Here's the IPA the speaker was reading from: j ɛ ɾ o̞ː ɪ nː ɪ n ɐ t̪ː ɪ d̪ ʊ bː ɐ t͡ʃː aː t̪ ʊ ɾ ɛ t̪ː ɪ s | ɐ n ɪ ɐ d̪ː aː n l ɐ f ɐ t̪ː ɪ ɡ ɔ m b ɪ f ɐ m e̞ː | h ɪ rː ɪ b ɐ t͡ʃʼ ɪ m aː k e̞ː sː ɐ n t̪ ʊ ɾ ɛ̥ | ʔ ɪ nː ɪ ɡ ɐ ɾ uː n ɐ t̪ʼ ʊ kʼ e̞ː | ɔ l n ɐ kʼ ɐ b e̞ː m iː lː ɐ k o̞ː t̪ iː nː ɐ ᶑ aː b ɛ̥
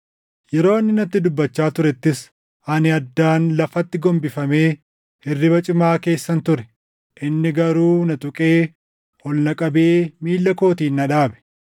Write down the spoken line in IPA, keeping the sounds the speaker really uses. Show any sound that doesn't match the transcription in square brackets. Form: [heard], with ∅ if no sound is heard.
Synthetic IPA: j ɛ ɾ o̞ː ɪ nː ɪ n ɐ t̪ː ɪ d̪ ʊ bː ɐ t͡ʃː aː t̪ ʊ ɾ ɛ t̪ː ɪ s | ɐ n ɪ ɐ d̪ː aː n l ɐ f ɐ t̪ː ɪ ɡ ɔ m b ɪ f ɐ m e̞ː | h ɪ rː ɪ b ɐ t͡ʃʼ ɪ m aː k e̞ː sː ɐ n t̪ ʊ ɾ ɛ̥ | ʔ ɪ nː ɪ ɡ ɐ ɾ uː n ɐ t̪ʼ ʊ kʼ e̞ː | ɔ l n ɐ kʼ ɐ b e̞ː m iː lː ɐ k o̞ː t̪ iː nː ɐ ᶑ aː b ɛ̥